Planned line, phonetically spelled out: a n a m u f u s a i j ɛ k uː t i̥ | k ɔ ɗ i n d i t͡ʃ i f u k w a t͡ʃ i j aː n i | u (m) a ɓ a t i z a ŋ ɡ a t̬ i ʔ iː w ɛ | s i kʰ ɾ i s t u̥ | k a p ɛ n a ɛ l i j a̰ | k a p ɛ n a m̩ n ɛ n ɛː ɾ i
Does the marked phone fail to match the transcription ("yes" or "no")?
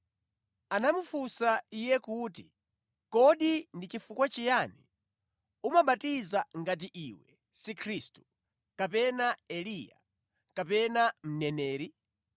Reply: no